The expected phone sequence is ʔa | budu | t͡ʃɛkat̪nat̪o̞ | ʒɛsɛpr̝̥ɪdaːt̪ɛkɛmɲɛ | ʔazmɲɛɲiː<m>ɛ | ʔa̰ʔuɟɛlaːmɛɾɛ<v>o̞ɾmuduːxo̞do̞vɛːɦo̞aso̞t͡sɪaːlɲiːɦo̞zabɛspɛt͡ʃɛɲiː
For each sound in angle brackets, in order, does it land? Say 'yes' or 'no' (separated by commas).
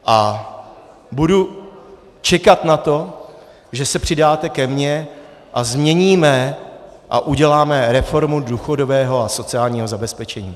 yes, no